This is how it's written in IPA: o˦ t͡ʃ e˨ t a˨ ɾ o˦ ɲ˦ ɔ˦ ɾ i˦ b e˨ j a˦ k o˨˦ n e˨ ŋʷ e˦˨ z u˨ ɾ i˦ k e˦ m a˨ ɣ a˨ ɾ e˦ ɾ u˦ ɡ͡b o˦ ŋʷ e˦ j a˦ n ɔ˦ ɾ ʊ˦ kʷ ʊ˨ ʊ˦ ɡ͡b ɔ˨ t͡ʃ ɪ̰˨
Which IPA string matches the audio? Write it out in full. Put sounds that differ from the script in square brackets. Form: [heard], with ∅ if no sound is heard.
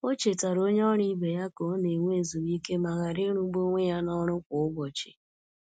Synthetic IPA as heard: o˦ t͡ʃ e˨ t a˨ ɾ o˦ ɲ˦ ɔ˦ ɾ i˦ b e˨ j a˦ k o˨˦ n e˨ ŋʷ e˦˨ z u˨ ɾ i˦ k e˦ m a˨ ɣ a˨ ɾ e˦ ɾ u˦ ɡ͡b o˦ ŋʷ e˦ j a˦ n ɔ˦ ɾ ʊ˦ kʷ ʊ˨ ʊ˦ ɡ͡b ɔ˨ t͡ʃ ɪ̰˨